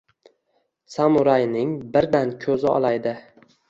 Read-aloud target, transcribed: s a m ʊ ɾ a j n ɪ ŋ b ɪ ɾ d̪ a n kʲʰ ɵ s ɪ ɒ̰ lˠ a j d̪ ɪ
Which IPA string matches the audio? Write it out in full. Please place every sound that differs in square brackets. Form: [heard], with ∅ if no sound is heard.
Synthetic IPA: s a m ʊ ɾ a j n ɪ ŋ b ɪ ɾ d̪ a n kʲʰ ɵ [z] ɪ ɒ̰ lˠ a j d̪ ɪ